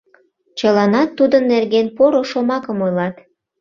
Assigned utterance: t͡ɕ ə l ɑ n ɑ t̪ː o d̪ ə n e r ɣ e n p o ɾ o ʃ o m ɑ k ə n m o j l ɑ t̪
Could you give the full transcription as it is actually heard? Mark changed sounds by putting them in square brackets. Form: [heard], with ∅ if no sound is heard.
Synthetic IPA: t͡ɕ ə l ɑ n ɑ t̪ː [u] d̪ ə [nː] e r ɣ e n p o ɾ o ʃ o m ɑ k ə [∅] m o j l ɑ t̪